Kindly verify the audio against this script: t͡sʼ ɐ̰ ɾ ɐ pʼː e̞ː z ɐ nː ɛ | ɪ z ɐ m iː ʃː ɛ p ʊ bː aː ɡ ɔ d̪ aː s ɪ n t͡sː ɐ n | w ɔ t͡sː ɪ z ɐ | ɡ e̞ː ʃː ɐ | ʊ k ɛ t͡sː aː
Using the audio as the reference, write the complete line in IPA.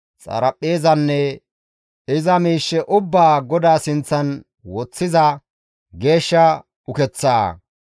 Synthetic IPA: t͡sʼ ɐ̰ ɾ ɐ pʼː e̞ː z ɐ nː ɛ | ɪ z ɐ m iː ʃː ɛ ʔ ʊ bː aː ɡ ɔ d̪ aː s ɪ n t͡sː ɐ n | w ɔ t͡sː ɪ z ɐ | ɡ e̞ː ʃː ɐ | ʊ k ɛ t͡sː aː